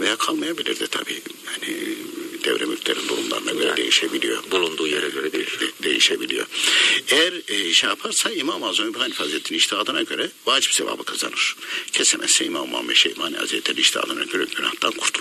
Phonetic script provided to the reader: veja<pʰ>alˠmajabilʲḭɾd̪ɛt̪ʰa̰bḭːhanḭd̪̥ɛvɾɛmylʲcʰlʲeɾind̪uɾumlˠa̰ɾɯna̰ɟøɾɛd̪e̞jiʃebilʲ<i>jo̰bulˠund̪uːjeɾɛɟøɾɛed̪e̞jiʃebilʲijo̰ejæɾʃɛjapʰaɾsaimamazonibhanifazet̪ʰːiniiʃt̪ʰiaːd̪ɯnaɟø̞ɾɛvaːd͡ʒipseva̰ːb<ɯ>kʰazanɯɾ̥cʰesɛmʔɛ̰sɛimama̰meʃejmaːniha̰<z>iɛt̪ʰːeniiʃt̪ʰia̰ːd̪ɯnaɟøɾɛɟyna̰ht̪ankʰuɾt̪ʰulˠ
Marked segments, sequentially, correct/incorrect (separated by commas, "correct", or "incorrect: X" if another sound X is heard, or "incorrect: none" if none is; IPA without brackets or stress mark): incorrect: kʰ, correct, correct, correct